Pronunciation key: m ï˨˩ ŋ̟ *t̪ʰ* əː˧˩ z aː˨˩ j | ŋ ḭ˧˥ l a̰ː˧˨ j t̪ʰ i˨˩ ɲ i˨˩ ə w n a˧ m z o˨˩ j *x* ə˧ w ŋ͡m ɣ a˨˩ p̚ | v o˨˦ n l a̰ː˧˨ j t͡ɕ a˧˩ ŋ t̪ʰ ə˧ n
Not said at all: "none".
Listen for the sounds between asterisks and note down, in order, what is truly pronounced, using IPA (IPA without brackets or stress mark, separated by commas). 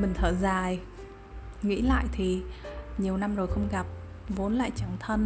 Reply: t̪ʰ, x